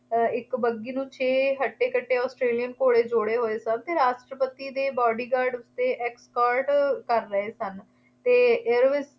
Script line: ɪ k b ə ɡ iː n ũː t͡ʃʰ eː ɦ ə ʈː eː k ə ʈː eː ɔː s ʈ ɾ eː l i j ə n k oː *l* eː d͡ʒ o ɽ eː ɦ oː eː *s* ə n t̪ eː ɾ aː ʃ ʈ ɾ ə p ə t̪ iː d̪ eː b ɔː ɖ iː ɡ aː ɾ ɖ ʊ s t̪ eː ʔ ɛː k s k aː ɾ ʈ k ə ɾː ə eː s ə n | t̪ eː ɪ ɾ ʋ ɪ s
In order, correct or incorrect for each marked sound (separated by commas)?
incorrect, correct